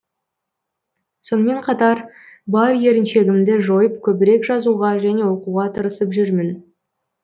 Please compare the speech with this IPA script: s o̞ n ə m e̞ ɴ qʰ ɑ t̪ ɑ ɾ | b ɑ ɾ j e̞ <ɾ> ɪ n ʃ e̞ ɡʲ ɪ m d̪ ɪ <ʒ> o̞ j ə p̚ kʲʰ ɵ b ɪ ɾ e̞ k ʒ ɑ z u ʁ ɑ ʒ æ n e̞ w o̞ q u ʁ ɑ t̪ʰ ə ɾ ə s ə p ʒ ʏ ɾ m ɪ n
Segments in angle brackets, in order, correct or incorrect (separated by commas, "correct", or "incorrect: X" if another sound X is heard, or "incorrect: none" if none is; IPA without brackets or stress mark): correct, correct